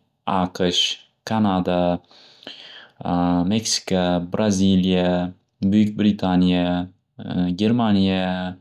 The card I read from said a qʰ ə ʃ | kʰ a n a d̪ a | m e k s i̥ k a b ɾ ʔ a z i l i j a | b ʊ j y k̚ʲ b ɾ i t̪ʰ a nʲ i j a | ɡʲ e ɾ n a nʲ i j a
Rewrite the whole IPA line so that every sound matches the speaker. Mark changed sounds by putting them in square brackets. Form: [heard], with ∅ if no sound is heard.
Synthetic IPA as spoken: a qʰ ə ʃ | kʰ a n a d̪ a | m e k s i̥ k a b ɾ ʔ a z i l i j a | b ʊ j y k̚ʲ b ɾ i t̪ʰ a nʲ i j a | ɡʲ e ɾ [m] a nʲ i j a